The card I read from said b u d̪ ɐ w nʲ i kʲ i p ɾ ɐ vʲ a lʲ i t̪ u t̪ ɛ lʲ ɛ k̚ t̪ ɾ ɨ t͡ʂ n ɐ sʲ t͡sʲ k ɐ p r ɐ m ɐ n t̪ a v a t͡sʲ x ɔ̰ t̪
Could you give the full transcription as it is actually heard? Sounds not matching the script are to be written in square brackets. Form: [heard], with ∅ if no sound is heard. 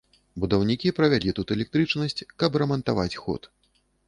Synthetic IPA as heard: b u d̪ ɐ w nʲ i kʲ i p ɾ ɐ vʲ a lʲ i t̪ u t̪ ɛ lʲ ɛ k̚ t̪ ɾ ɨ t͡ʂ n ɐ sʲ t͡sʲ k ɐ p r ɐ m ɐ n t̪ a v a t͡sʲ x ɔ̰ t̪